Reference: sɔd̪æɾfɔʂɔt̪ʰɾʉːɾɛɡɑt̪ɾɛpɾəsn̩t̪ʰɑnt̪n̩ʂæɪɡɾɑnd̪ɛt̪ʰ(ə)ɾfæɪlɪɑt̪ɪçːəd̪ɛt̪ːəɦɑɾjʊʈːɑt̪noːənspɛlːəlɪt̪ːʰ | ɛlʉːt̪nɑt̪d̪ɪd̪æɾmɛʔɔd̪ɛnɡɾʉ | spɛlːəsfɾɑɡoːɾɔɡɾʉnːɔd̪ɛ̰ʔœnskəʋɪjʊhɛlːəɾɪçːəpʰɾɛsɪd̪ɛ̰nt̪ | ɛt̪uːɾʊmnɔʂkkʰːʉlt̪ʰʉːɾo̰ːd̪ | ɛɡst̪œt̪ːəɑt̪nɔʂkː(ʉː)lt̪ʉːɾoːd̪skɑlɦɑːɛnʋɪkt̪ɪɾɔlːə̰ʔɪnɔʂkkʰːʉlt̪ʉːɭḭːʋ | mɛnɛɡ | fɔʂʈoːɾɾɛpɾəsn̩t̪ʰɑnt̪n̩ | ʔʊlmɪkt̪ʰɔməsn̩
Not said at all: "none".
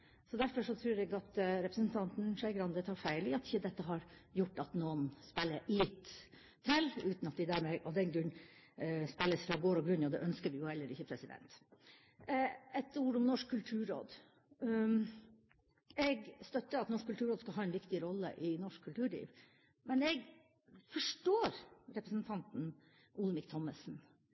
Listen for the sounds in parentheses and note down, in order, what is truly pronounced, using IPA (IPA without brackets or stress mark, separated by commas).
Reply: ɑ, ʉ